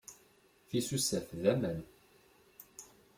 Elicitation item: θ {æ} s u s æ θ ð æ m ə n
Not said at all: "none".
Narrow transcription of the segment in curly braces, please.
i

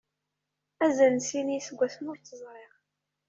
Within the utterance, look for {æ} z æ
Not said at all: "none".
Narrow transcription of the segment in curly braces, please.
æ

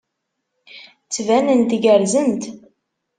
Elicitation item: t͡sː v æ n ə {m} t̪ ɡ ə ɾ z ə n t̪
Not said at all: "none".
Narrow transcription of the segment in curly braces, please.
n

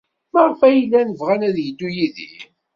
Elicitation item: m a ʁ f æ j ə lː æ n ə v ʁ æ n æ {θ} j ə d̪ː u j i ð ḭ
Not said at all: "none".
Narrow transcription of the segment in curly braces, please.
ð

